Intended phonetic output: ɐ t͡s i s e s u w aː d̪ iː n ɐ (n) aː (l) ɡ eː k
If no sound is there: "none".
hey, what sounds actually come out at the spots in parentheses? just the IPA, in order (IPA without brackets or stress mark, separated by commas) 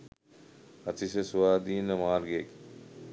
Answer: m, ɾ